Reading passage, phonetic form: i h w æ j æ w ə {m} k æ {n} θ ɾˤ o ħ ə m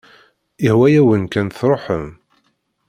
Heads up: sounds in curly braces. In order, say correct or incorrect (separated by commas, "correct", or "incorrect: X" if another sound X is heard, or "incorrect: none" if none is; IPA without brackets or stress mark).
incorrect: n, correct